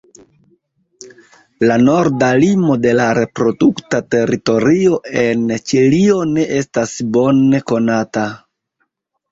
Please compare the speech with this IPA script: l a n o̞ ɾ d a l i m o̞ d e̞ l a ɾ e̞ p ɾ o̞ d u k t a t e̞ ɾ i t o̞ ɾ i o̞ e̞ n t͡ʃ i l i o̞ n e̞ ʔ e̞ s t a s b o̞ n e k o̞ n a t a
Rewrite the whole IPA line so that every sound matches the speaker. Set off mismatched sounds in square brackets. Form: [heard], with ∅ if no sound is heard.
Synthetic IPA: l a n o̞ ɾ d a l i m o̞ d e̞ l a ɾ e̞ p ɾ o̞ d u k t a t e̞ ɾ i t o̞ ɾ i o̞ e̞ n t͡ʃ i l i o̞ n e̞ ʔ e̞ s t a s b o̞ n e k o̞ n a t a